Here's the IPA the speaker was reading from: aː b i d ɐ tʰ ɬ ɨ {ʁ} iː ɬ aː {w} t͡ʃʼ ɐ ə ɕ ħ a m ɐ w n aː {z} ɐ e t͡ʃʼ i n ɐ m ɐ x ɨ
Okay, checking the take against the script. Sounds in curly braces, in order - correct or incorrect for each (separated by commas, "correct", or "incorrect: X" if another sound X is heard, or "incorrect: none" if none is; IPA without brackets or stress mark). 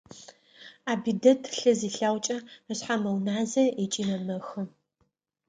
incorrect: z, correct, correct